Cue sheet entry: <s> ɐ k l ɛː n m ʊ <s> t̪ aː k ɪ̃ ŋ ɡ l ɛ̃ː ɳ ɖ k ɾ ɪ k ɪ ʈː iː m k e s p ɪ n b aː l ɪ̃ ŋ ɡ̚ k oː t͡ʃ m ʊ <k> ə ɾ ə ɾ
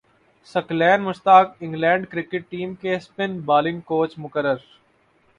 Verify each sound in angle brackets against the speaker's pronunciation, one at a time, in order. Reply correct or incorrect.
correct, correct, correct

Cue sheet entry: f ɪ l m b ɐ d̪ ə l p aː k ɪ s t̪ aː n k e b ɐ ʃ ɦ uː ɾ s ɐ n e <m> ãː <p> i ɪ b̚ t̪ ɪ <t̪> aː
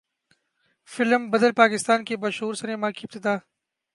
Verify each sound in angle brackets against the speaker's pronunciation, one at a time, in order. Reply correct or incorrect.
correct, incorrect: k, incorrect: d̪

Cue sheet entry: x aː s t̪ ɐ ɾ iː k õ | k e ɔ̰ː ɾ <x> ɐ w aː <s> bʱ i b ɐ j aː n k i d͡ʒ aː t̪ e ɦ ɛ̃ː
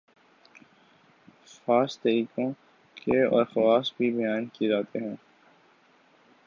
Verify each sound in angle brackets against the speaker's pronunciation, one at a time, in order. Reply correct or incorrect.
correct, correct

